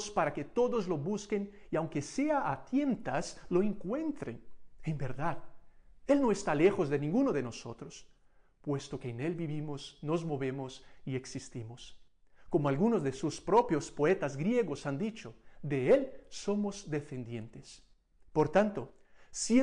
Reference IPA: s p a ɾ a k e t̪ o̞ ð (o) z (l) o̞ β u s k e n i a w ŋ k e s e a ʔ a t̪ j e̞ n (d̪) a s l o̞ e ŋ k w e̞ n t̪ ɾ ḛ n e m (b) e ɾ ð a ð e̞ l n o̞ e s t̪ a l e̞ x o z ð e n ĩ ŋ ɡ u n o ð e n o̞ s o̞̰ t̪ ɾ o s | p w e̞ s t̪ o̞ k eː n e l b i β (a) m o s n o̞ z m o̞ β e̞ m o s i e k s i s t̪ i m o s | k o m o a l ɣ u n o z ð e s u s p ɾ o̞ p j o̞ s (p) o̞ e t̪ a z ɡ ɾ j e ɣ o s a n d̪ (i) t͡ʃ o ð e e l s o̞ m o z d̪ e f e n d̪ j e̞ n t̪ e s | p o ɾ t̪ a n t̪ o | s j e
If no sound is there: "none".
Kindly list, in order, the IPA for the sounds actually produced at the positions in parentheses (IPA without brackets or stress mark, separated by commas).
o, l, t̪, b, i, p, i